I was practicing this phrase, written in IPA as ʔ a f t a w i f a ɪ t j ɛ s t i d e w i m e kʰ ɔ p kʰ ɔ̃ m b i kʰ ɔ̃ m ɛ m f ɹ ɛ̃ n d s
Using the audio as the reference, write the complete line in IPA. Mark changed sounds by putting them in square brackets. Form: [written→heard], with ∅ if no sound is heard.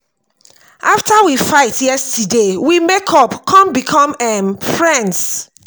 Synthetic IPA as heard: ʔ a f t a w i f a ɪ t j ɛ s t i d e w i m e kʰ ɔ p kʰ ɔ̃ m b i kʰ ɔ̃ m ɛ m f ɹ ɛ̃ n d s